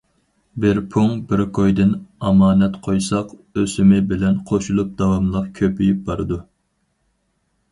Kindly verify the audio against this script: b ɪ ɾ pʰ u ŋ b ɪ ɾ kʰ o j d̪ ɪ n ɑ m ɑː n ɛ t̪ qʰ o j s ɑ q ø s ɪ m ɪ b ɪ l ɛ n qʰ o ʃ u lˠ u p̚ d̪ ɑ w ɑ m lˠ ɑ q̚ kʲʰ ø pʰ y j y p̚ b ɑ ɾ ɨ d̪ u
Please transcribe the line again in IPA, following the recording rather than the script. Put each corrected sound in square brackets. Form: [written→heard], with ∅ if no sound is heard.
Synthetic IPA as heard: b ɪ ɾ pʰ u ŋ b ɪ ɾ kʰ o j d̪ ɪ n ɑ m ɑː n ɛ t̪ qʰ o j s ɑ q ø s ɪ m ɪ b ɪ l ɛ n qʰ o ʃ u lˠ u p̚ d̪ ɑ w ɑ m lˠ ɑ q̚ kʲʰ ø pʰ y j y p̚ b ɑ ɾ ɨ d̪ u

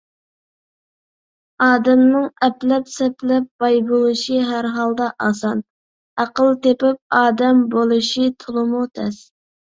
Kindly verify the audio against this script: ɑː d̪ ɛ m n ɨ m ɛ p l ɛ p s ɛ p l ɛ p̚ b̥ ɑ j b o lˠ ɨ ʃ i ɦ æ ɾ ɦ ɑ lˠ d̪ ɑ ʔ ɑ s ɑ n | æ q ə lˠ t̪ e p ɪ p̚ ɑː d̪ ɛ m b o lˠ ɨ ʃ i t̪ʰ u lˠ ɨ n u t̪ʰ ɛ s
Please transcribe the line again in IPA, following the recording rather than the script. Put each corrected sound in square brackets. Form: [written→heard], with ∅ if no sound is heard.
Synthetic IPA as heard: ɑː d̪ ɛ m n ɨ [m→ŋ] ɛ p l ɛ p s ɛ p l ɛ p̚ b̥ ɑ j b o lˠ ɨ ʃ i ɦ æ ɾ ɦ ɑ lˠ d̪ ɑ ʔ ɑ s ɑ n | æ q ə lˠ t̪ e p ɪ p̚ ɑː d̪ ɛ m b o lˠ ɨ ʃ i t̪ʰ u lˠ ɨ [n→m] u t̪ʰ ɛ s

